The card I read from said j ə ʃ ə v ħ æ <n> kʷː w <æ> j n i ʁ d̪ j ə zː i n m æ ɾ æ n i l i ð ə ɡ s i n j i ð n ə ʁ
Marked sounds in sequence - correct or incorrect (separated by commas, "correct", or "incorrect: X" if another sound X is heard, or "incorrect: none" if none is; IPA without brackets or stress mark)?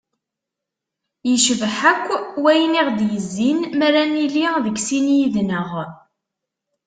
incorrect: none, correct